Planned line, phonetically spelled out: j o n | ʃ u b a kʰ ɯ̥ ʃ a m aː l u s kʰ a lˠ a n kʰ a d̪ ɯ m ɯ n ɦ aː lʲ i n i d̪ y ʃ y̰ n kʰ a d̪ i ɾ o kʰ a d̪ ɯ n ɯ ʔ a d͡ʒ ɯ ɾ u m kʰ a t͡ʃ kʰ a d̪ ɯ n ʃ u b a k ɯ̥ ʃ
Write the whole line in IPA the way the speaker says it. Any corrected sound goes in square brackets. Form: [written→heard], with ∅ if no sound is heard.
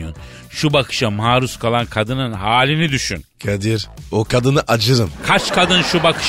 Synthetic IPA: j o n | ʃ u b a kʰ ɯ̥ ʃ a m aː [l→ɾ] u s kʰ a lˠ a n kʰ a d̪ ɯ [m→n] ɯ n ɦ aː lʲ i n i d̪ y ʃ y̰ n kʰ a d̪ i ɾ o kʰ a d̪ ɯ n ɯ ʔ a d͡ʒ ɯ ɾ [u→ɯ] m kʰ a t͡ʃ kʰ a d̪ ɯ n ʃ u b a k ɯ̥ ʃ